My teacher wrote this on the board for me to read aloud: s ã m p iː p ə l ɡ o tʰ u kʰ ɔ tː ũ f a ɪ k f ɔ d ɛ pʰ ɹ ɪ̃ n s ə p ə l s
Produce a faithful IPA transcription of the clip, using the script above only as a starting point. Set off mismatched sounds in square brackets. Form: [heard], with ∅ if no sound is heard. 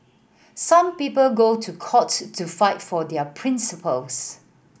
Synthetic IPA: s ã m p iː p ə l ɡ o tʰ u kʰ ɔ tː [u] f a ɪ [t] f ɔ d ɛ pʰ ɹ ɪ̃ n s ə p ə l s

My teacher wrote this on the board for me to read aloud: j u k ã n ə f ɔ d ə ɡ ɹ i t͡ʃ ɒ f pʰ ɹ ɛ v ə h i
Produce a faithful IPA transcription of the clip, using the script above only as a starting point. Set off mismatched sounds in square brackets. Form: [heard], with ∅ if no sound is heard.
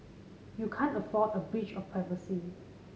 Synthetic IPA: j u [kʰ] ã n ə f ɔ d ə [b] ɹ i t͡ʃ [ɔ] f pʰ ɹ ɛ v ə [s] i

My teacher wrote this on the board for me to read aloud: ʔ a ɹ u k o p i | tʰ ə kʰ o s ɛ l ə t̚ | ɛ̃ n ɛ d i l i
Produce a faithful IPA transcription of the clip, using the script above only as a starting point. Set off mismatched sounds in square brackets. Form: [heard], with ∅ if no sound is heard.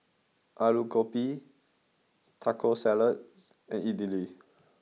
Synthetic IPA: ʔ a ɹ u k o p i | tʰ [a] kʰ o s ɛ l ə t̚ | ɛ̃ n [i] d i l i

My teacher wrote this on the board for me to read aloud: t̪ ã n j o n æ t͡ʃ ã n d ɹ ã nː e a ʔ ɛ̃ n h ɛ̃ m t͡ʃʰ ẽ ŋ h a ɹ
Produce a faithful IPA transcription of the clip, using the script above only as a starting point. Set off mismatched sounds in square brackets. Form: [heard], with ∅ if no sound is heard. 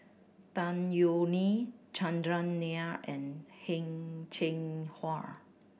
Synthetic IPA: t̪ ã n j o n [i] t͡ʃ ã n d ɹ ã nː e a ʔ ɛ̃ n h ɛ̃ [ŋ] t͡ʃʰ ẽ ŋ h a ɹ

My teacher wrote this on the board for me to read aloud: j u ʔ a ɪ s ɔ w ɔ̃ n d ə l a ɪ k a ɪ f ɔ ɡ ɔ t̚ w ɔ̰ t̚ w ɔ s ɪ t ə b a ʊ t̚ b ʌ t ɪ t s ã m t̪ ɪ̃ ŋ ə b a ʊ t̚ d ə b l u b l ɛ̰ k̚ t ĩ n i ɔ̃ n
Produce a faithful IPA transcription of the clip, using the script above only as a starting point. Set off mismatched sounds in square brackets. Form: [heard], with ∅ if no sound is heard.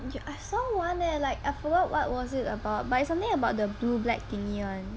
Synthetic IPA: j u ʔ a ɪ s ɔ w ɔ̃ n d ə l a ɪ k a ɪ f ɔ ɡ ɔ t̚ w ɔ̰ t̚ w ɔ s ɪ t ə b a ʊ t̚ b [a] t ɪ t s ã m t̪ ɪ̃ ŋ ə b a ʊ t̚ d ə b l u b l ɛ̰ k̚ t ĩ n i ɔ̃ n

